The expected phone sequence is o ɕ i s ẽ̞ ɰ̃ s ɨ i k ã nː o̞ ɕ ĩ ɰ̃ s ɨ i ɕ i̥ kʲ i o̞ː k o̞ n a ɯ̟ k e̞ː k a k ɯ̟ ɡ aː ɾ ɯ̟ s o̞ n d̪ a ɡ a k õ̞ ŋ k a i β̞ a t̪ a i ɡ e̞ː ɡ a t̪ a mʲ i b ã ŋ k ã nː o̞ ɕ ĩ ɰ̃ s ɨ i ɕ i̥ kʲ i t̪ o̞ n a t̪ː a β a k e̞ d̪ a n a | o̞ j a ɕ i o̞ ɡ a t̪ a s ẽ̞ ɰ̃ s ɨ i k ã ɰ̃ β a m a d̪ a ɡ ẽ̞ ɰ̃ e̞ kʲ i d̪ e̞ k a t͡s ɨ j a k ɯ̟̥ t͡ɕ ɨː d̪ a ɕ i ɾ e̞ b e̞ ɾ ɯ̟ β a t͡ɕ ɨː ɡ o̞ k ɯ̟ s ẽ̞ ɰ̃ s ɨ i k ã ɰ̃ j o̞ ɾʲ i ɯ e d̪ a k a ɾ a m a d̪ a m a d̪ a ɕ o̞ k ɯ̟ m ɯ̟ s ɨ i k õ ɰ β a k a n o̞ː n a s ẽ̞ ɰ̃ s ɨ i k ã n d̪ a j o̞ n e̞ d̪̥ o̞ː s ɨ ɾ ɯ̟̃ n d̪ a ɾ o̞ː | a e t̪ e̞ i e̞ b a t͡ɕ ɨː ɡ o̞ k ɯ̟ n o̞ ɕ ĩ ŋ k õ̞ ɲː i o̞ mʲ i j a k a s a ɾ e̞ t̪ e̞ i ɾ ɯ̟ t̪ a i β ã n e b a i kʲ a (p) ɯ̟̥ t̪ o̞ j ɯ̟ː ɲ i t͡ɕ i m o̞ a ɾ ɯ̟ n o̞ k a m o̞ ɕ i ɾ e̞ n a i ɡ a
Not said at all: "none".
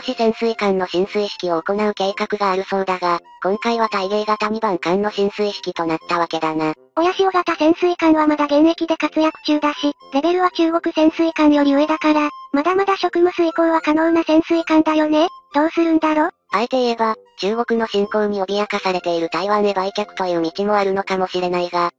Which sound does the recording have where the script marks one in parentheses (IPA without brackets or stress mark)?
k